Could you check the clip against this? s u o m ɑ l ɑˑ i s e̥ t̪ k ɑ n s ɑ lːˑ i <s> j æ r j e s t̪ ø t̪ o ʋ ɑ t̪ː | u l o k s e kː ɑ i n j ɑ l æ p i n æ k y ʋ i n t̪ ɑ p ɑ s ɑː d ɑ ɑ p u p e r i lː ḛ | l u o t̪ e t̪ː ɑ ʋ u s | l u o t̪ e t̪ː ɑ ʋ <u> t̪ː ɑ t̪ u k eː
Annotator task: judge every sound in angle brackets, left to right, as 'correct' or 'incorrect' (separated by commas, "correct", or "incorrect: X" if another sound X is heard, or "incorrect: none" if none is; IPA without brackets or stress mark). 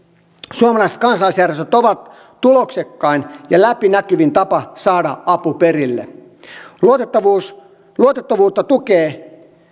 correct, incorrect: uː